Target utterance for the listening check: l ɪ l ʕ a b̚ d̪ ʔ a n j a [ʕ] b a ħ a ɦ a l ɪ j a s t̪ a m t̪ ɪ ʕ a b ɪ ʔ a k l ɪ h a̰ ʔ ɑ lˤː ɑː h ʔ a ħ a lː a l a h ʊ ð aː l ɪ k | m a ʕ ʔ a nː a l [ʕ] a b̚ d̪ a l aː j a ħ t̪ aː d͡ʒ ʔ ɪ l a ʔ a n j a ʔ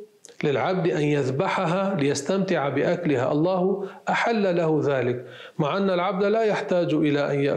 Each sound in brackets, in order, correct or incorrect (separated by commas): incorrect, correct